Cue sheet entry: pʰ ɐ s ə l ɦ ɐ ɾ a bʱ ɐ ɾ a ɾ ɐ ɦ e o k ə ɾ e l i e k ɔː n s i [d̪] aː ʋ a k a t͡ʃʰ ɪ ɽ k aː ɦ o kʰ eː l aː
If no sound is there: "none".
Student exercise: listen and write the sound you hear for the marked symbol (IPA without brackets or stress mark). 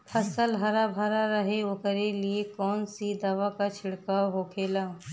d̪